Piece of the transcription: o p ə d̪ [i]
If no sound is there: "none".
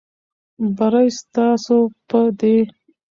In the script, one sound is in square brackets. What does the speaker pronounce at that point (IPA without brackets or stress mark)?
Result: e